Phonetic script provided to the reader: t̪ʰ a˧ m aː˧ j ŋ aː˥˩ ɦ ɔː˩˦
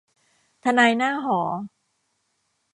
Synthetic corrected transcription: t̪ʰ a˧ n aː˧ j n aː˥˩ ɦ ɔː˩˦